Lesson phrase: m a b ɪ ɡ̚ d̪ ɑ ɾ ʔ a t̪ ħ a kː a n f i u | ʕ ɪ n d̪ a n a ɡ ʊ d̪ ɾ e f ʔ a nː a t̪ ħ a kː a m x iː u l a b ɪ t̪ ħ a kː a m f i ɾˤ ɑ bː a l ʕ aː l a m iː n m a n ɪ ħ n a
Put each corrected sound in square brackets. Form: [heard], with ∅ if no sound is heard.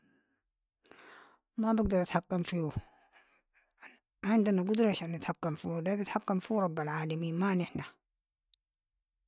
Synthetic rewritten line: m a b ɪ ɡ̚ d̪ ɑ ɾ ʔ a t̪ ħ a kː a [m] f i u | ʕ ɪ n d̪ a n a ɡ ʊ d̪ ɾ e [ʃ] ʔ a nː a t̪ ħ a kː a m [f] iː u l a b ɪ t̪ ħ a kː a m f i ɾˤ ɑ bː a l ʕ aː l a m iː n m a n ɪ ħ n a